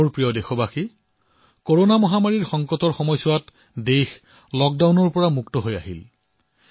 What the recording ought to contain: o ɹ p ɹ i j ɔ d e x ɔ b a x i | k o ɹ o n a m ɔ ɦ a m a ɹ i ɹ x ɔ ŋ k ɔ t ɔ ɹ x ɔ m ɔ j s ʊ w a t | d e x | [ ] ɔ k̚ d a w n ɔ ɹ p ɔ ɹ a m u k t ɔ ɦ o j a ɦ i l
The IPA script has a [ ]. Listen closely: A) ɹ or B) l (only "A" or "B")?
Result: B